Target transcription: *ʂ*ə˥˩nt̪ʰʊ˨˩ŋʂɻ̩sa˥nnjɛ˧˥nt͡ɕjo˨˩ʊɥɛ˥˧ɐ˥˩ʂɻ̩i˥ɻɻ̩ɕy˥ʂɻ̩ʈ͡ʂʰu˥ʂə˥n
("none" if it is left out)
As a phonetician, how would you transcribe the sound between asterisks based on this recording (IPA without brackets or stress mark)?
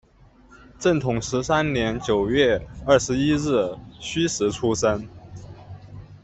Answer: ʈ͡ʂ